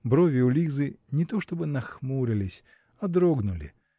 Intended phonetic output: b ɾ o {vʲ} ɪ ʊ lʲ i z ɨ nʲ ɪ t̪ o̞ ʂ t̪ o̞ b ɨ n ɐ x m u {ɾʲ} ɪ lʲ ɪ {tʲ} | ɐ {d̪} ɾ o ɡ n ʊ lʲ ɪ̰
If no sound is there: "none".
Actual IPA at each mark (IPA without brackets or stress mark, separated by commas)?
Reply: vʲ, ɾʲ, sʲ, d̪